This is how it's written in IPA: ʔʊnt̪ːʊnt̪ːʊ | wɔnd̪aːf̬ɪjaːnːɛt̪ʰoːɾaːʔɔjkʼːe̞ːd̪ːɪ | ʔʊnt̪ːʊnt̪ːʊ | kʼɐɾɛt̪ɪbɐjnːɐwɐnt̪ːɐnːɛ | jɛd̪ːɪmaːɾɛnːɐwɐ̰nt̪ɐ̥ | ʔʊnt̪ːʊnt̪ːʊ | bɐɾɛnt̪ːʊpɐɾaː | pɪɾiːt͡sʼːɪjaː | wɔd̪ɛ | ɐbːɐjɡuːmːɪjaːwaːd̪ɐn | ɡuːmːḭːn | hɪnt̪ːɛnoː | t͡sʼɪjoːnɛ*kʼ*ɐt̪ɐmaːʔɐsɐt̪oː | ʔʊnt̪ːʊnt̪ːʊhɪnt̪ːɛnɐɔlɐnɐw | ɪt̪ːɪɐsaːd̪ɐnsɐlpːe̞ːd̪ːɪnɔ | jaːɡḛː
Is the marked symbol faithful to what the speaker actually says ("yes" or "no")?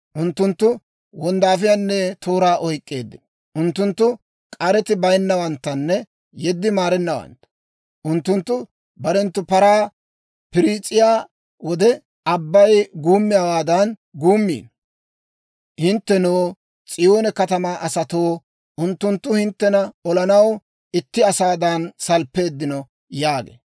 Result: no